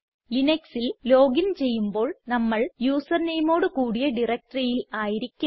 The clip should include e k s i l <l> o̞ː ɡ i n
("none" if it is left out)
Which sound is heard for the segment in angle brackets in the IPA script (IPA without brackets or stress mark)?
l